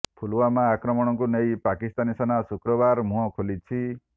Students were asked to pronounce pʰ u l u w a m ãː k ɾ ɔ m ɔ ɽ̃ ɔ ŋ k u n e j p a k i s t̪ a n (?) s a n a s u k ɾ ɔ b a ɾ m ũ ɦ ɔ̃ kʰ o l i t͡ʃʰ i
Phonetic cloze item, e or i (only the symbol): i